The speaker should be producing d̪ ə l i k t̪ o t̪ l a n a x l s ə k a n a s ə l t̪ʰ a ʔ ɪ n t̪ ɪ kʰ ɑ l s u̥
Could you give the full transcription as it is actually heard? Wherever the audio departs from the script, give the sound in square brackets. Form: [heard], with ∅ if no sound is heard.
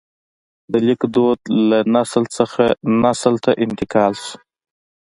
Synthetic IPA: d̪ ə l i k [d̪] o [d̪] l a n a [s] l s ə [x] a n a s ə l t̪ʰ a ʔ ɪ n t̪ ɪ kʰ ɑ l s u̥